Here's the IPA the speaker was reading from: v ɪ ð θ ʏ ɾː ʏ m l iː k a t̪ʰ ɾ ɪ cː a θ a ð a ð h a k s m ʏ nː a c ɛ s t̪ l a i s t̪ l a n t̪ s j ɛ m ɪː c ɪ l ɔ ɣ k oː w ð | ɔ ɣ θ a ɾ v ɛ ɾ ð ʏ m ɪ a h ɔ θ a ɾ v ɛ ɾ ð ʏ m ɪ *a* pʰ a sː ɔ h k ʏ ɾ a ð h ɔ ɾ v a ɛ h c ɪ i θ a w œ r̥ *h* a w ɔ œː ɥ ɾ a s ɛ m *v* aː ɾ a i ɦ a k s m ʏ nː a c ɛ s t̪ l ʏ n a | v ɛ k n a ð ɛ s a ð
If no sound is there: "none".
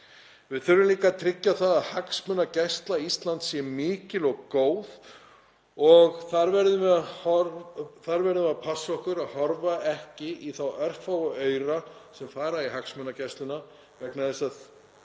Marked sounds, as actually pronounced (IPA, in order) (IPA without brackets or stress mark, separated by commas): a, f, f